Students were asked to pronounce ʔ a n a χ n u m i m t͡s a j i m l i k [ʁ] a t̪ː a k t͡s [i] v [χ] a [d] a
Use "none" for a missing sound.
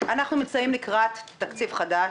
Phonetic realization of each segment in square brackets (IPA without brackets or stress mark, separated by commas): ʁ, i, χ, d